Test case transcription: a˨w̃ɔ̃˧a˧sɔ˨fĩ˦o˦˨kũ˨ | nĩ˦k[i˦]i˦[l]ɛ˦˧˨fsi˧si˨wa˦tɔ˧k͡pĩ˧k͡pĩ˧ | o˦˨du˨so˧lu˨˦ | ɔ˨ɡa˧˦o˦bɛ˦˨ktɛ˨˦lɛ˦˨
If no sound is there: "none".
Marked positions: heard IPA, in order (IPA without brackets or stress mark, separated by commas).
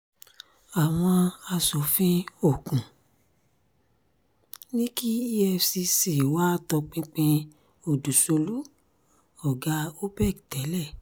i˦, none